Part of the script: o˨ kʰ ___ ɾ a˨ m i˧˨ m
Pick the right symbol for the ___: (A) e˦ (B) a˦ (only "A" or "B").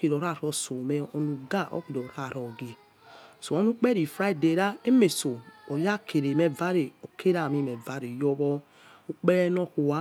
A